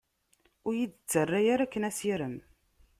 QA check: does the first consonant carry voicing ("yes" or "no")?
yes